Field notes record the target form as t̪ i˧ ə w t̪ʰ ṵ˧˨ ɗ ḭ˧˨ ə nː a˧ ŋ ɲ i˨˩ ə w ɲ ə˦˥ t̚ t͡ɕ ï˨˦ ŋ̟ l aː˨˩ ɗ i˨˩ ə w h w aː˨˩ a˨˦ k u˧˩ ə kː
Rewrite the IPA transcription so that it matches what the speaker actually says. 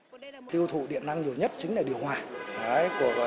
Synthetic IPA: t̪ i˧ ə w t̪ʰ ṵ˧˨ ɗ ḭ˧˨ ə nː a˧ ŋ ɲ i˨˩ ə w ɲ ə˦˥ t̚ t͡ɕ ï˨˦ ŋ̟ l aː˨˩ ɗ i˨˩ ə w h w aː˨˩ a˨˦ k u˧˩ ə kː